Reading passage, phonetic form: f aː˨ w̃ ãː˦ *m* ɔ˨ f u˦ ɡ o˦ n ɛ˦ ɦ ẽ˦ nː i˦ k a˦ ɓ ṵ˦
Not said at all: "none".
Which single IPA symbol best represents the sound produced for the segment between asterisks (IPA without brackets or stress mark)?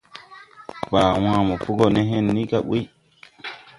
m